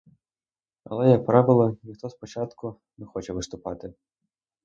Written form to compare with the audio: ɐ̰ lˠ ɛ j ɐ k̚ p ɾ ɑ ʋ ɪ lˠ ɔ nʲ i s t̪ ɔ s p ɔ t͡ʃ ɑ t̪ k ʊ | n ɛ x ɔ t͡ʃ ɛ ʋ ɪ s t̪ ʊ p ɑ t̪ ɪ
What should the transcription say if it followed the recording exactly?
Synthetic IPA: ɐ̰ lˠ ɛ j ɐ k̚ p ɾ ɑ ʋ ɪ lˠ ɔ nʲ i x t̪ ɔ s p ɔ t͡ʃ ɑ t̪ k ʊ | n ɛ x ɔ t͡ʃ ɛ ʋ ɪ s t̪ ʊ p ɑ t̪ ɪ